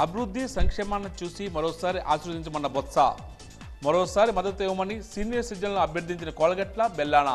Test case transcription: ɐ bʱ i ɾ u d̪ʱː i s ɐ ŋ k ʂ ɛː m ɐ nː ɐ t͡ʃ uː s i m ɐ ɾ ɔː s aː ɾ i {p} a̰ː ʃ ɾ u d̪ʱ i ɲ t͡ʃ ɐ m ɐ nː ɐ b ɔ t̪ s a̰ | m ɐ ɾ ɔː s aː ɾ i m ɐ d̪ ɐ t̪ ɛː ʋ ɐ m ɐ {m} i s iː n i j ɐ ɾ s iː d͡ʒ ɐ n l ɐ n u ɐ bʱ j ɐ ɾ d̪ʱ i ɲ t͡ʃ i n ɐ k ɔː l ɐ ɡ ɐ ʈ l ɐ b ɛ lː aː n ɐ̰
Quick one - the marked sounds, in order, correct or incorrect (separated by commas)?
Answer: incorrect, incorrect